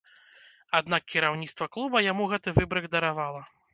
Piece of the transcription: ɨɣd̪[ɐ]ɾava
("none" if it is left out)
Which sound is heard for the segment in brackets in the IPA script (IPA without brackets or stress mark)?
ɐ